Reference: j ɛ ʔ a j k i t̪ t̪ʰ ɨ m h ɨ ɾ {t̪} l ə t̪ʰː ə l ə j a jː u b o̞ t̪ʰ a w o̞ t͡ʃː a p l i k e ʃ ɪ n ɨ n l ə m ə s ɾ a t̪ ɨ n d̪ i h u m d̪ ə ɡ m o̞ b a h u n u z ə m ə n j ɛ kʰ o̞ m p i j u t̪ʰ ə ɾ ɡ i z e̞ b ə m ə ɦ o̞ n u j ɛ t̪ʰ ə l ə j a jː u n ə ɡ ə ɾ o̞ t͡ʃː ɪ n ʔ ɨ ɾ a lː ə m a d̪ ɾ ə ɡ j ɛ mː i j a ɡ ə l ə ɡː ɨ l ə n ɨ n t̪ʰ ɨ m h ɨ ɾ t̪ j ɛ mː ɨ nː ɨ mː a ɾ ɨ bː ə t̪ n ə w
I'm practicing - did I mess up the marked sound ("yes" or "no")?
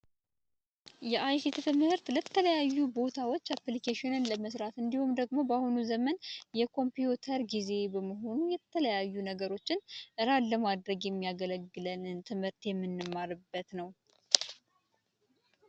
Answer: no